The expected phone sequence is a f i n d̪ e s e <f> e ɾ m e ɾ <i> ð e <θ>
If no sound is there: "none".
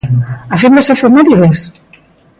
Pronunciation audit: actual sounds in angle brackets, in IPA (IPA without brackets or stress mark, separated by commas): f, i, s